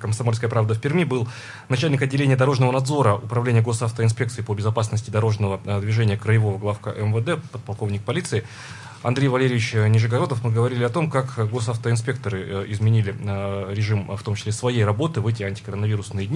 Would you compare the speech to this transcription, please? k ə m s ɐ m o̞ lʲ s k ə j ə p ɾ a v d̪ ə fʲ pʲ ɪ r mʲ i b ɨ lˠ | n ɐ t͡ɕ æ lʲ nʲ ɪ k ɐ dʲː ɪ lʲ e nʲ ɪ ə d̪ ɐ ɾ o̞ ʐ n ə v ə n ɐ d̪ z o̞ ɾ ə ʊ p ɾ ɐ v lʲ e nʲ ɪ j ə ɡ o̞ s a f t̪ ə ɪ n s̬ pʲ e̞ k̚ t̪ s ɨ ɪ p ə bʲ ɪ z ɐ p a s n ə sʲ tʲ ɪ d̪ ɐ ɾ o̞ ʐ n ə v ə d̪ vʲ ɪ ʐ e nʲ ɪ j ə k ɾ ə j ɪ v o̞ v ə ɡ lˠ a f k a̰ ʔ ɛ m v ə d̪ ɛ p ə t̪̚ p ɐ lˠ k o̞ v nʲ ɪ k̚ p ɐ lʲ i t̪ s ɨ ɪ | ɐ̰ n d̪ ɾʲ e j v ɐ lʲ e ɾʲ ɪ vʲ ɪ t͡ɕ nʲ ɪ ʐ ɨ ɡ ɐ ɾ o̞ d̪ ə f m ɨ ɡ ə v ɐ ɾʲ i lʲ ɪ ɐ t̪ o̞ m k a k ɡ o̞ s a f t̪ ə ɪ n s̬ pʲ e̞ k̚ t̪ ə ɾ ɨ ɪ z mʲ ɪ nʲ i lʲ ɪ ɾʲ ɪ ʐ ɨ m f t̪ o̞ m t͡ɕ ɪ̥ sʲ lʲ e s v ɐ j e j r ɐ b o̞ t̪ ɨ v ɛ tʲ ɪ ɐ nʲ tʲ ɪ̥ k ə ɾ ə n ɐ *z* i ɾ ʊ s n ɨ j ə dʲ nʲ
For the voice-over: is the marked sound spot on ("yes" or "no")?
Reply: no